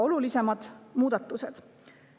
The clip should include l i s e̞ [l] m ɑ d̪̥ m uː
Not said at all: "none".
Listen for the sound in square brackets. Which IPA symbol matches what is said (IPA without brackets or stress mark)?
none